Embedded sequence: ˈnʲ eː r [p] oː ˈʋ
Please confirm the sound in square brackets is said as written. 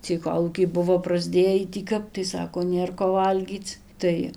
no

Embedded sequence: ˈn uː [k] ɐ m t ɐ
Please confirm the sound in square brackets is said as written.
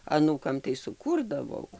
yes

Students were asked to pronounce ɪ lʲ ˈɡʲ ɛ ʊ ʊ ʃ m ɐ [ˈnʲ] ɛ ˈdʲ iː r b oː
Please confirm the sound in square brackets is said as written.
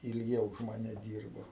yes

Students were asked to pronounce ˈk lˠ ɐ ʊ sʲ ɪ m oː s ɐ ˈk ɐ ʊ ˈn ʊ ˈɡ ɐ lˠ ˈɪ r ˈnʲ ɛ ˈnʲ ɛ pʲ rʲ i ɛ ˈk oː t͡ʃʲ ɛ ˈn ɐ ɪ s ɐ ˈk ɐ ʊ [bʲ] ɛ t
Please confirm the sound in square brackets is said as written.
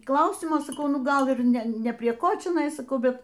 yes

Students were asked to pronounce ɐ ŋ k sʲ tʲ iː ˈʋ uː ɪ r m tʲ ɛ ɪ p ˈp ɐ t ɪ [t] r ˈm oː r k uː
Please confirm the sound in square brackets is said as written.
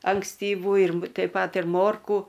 no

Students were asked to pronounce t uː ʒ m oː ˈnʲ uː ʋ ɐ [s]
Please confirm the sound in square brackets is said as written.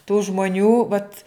no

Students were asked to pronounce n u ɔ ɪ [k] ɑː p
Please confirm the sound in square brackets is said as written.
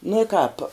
yes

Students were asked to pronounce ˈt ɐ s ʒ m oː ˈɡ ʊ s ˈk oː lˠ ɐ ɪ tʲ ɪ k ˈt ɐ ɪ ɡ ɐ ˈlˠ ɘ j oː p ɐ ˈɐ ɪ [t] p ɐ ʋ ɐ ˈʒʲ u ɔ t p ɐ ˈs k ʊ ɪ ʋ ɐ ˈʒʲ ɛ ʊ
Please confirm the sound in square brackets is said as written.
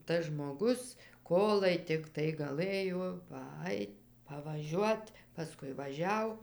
yes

